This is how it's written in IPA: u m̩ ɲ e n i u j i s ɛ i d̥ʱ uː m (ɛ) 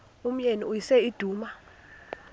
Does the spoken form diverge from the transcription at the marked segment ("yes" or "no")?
yes